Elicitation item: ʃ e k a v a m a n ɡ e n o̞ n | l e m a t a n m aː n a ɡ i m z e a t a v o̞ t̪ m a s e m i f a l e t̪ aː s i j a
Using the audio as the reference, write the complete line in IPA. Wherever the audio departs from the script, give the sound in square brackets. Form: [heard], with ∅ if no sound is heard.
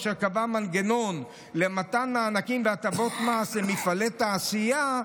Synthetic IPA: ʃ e k a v a m a n ɡ e n o̞ n | l e m a t a n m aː n a [k] i m [v] e a t a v o̞ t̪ m a s e m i f a l e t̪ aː s i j a

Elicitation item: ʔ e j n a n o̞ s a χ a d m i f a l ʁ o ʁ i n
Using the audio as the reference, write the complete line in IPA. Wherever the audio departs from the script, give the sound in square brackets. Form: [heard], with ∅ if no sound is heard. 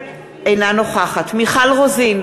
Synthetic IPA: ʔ e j n a n o̞ [χ] a χ a [t] m i [χ] a l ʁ o [z] i n

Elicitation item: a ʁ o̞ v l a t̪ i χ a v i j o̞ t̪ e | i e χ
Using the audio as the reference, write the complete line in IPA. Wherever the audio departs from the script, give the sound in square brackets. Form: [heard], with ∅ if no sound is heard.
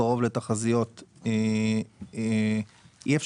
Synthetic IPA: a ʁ o̞ v l [e] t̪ [a] χ a [z] i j o̞ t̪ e | i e [f]

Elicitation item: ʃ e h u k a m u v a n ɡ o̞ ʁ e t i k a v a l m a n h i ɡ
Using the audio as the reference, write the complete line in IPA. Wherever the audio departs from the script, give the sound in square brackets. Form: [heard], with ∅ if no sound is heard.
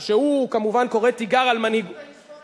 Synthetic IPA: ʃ e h u k a m u v a n [k] o̞ ʁ e t i [ɡ] a [ʁ] a l m a n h i ɡ

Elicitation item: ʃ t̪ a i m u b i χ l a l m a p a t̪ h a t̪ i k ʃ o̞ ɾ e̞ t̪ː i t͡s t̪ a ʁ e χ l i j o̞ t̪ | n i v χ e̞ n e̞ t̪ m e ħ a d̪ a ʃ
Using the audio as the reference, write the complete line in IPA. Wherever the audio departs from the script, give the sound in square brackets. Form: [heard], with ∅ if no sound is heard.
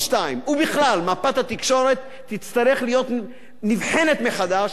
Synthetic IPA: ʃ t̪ a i m u b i χ l a l m a p a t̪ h a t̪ i k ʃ o̞ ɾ e̞ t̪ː i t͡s t̪ a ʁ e χ l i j o̞ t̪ | n i v [ħ] e̞ n e̞ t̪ m e [χ] a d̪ a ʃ

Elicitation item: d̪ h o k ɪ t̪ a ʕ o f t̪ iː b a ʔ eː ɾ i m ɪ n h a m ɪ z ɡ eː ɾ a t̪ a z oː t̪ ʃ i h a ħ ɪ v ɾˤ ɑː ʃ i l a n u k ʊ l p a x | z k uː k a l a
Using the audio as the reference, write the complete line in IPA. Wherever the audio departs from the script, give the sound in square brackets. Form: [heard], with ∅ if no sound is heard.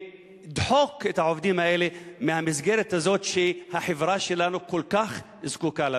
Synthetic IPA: d̪ [ħ] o k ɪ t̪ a ʕ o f [d̪] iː [m] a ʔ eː [l] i m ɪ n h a m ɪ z ɡ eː ɾ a t̪ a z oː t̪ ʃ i h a ħ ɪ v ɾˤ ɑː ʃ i l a n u k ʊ l [k] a x | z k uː k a l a

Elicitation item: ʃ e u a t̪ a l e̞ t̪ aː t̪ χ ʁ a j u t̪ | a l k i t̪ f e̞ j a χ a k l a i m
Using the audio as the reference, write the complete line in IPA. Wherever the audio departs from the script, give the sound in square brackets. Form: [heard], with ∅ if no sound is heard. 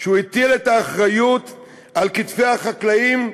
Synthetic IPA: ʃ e u [i] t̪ [i] l e̞ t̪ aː [∅] χ ʁ a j u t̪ | a l k i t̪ f e̞ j a χ a k l a i m

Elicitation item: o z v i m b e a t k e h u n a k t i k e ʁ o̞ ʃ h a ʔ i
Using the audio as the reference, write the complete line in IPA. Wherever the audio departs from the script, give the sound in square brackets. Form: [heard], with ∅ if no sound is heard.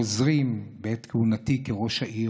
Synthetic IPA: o z [ʁ] i m b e [e] t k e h u n a [∅] t i k e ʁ o̞ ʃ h a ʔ i

